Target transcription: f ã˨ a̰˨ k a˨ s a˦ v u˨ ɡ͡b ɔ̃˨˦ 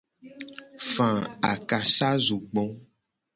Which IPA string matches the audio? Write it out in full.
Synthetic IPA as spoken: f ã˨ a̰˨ k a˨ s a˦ z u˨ ɡ͡b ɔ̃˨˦